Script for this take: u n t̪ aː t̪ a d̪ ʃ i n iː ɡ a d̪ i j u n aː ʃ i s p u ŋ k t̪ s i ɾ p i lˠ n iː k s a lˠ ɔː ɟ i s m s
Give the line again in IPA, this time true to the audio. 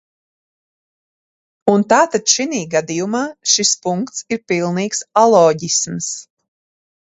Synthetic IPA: u n t̪ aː t̪ a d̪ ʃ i n iː ɡ a d̪ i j u m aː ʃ i s p u ŋ k t̪ s i ɾ p i lˠ n iː k s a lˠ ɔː ɟ i s m s